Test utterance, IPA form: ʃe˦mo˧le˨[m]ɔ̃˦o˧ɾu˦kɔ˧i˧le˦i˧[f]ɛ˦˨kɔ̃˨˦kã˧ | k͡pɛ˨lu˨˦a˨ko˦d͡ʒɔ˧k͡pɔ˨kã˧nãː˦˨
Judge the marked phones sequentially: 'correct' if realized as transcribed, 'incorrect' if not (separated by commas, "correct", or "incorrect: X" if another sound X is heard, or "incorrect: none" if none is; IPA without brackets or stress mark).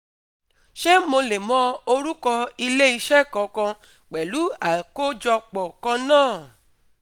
correct, incorrect: ʃ